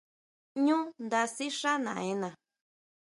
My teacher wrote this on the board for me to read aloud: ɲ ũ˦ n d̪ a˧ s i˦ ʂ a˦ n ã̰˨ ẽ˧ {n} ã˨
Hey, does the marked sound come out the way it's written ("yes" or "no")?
yes